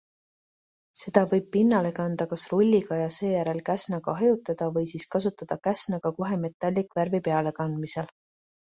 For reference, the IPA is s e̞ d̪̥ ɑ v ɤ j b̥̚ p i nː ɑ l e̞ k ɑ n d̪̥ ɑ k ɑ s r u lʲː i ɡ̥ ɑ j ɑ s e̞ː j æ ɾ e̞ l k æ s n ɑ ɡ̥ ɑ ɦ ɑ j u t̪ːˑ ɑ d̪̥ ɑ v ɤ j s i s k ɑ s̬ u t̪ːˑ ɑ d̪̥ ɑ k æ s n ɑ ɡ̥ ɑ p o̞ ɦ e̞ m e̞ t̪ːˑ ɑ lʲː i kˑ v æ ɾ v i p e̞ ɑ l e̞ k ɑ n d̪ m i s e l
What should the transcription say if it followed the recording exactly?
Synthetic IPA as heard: s e̞ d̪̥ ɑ v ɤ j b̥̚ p i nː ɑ l e̞ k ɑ n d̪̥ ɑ k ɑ s r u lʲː i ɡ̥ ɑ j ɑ s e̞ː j æ ɾ e̞ l k æ s n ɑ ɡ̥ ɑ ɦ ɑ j u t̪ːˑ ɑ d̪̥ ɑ v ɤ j s i s k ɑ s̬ u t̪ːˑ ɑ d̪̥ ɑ k æ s n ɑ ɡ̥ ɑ k o̞ ɦ e̞ m e̞ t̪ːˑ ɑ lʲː i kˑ v æ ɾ v i p e̞ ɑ l e̞ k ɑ n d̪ m i s e l